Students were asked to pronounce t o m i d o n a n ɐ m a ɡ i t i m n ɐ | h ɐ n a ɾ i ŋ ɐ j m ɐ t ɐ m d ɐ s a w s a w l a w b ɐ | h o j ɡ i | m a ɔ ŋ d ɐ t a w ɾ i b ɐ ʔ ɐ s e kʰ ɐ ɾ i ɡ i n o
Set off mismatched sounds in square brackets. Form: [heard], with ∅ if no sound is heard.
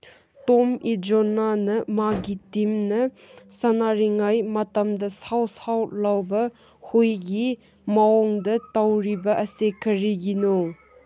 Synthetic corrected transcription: t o m i [d͡ʒ] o n a n ɐ m a ɡ i t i m n ɐ | [s] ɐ n a ɾ i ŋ [a] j m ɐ t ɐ m d ɐ s a w s a w l a w b ɐ | h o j ɡ i | m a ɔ ŋ d ɐ t a w ɾ i b ɐ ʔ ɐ s e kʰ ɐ ɾ i ɡ i n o